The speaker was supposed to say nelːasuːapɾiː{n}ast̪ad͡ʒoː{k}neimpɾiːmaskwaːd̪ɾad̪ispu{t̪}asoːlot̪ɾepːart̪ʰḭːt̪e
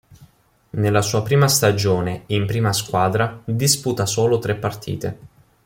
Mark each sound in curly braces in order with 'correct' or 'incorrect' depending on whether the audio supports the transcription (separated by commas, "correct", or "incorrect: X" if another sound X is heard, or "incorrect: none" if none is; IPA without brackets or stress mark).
incorrect: m, incorrect: none, correct